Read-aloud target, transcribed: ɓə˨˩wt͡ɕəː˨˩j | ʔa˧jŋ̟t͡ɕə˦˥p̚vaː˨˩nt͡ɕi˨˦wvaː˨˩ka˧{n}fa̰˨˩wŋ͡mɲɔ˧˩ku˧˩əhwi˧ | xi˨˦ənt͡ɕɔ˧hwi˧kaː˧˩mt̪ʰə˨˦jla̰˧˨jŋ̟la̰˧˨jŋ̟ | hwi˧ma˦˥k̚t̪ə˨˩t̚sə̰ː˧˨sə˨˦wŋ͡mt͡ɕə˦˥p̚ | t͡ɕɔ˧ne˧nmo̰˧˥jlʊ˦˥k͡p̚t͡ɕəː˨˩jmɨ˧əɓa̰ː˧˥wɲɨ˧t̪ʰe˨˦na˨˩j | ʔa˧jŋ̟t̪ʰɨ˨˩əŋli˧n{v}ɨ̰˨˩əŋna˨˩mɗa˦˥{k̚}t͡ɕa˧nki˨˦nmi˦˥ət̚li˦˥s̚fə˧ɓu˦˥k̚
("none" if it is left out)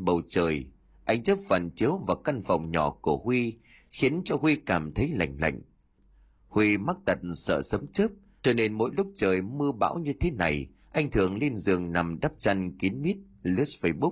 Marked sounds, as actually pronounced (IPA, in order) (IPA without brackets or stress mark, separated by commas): n, z, p̚